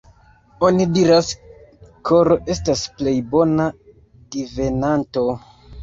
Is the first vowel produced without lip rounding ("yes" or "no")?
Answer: no